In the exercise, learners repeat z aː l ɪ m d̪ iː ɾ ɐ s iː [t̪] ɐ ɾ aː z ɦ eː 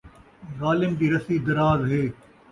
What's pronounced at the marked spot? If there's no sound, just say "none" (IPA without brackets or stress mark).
d̪